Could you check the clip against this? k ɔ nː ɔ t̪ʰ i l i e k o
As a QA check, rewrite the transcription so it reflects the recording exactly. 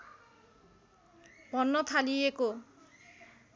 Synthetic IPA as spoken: p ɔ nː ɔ t̪ʰ a l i e k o